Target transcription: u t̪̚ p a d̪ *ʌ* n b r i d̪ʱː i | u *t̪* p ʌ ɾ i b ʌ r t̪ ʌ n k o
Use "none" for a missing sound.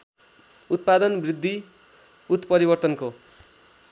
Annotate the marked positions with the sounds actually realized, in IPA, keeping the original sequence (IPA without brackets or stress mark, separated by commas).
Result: ʌ, t̪